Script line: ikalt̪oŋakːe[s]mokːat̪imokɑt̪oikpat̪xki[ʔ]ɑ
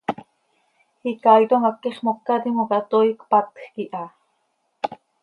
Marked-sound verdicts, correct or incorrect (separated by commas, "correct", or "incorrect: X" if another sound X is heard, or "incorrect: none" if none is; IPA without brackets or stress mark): incorrect: χ, correct